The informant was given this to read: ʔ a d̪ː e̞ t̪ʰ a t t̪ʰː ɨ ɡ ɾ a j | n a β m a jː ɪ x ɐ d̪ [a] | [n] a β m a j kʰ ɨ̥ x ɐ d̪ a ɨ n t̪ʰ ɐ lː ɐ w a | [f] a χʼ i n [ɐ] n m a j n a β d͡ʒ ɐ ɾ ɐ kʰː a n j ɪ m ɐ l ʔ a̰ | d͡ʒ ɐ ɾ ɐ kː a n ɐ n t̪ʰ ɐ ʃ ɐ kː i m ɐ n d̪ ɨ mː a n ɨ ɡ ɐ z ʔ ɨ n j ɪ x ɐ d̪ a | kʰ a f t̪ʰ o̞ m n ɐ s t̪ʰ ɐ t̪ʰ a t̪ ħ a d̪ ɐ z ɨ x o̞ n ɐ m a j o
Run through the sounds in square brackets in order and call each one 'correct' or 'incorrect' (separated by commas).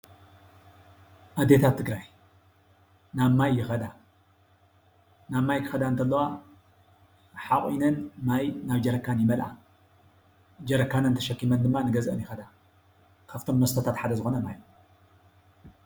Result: correct, correct, incorrect, correct